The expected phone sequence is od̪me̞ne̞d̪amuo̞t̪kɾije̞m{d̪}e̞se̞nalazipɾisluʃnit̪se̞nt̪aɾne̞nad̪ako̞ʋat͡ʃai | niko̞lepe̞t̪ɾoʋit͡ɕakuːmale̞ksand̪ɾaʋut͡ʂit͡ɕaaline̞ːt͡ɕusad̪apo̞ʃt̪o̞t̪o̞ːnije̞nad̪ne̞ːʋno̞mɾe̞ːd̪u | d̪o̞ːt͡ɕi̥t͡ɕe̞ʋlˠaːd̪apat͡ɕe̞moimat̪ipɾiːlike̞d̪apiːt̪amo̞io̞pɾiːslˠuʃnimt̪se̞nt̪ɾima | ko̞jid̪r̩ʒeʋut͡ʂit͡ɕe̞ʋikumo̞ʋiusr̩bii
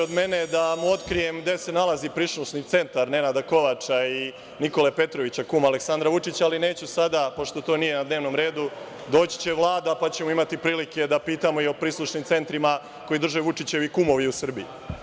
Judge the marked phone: correct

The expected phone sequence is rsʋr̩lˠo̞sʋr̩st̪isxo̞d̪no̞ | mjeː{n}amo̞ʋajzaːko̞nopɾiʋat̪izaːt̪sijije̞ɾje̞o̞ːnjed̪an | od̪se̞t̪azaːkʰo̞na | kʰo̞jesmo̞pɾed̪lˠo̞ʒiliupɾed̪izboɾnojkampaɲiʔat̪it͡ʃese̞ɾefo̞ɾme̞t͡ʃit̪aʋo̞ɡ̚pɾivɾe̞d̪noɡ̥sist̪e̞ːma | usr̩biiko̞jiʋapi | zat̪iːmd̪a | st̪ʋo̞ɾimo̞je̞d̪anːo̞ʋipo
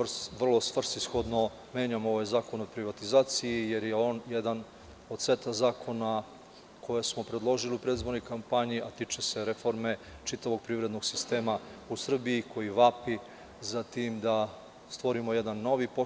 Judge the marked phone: incorrect: ɲ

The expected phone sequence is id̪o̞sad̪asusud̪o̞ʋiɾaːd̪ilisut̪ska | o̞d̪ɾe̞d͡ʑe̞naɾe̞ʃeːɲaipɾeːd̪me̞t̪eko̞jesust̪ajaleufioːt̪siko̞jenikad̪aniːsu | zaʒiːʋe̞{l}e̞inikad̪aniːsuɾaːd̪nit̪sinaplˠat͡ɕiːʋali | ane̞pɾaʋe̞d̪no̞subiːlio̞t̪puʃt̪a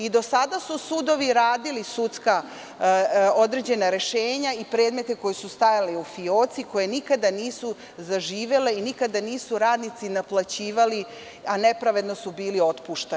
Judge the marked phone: correct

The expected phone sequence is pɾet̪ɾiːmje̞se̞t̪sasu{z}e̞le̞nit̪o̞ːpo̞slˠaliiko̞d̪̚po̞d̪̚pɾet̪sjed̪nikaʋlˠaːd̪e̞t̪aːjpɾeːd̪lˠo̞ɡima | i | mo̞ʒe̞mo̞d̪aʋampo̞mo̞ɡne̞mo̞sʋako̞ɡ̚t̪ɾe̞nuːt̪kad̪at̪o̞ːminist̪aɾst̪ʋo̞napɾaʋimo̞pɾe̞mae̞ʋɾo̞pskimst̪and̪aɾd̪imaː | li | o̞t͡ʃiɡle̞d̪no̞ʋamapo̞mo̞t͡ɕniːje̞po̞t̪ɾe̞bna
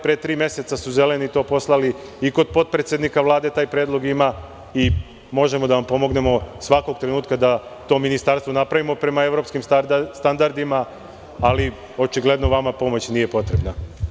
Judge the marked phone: correct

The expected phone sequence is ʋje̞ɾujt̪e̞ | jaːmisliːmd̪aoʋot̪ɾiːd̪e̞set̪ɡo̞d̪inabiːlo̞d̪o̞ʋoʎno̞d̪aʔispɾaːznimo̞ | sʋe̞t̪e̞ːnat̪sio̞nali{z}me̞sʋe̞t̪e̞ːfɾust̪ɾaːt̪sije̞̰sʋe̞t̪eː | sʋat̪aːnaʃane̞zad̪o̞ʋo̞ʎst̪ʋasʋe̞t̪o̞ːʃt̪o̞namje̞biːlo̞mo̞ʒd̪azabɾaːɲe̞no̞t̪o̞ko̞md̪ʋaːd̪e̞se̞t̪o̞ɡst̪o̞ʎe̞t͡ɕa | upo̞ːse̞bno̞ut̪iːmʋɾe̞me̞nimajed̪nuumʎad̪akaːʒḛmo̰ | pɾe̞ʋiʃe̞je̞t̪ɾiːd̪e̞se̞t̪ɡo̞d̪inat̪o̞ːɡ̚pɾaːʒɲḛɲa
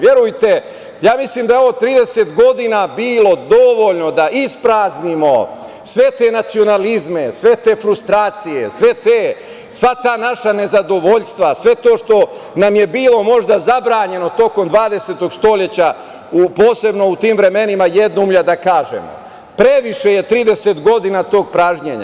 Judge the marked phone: correct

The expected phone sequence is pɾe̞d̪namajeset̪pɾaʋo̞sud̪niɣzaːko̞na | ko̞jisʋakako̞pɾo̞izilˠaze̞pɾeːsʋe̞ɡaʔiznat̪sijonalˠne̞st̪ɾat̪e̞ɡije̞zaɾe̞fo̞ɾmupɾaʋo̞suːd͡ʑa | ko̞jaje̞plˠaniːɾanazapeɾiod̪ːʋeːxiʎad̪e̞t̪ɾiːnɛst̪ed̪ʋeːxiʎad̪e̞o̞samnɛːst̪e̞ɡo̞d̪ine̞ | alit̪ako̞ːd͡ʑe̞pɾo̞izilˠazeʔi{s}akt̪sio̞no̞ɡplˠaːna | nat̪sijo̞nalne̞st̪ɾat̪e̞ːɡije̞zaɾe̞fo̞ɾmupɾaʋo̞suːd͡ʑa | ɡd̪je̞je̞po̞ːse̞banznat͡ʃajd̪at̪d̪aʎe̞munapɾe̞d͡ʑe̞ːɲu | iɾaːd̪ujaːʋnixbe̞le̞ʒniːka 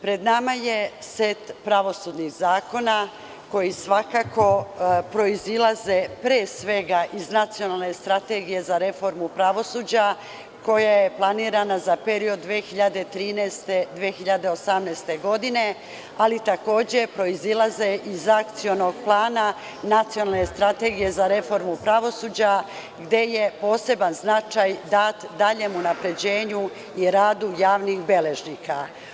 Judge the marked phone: incorrect: z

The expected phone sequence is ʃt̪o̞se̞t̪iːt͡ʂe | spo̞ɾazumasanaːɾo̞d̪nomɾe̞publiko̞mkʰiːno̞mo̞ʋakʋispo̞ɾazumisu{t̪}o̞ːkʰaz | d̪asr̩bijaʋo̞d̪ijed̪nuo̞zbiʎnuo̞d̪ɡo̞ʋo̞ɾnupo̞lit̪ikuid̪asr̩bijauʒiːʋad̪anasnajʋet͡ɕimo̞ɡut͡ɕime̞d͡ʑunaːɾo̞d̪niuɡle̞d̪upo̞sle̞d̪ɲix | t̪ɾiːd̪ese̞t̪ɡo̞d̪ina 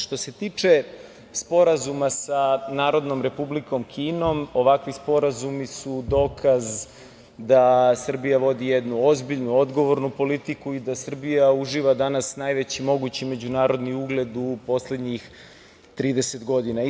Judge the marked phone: incorrect: d̪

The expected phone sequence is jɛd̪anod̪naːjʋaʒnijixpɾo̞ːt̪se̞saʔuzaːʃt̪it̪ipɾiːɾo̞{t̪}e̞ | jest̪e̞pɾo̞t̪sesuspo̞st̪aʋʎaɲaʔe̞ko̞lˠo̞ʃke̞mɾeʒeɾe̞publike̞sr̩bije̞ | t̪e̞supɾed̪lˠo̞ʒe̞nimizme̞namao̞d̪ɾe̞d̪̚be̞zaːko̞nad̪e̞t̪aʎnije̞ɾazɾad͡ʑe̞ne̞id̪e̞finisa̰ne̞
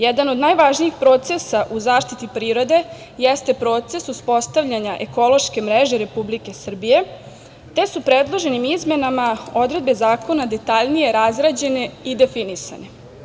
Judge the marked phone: incorrect: d̪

